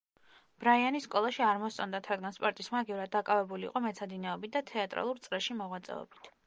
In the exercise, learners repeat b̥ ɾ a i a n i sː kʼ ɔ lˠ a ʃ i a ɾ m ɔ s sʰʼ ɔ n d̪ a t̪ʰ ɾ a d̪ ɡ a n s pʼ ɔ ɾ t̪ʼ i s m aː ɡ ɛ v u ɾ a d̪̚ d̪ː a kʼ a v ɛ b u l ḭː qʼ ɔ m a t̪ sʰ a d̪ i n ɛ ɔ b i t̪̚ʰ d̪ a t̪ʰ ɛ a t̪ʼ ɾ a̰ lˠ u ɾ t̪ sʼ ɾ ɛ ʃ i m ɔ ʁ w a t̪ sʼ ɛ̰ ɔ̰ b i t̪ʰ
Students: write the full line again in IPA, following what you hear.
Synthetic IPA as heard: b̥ ɾ a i a n i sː kʼ ɔ lˠ a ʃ i a ɾ m ɔ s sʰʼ ɔ n d̪ a t̪ʰ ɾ a d̪ ɡ a n s pʼ ɔ ɾ t̪ʼ i s m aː ɡ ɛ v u ɾ a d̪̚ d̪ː a kʼ a v ɛ b u l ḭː qʼ ɔ m ɛ t̪ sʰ a d̪ i n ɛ ɔ b i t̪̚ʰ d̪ a t̪ʰ ɛ a t̪ʼ ɾ a̰ lˠ u ɾ t̪ sʼ ɾ ɛ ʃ i m ɔ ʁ w a t̪ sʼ ɛ̰ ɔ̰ b i t̪ʰ